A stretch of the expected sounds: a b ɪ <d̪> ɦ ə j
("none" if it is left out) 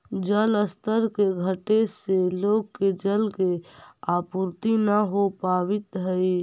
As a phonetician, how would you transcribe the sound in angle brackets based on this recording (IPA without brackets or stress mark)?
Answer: t̪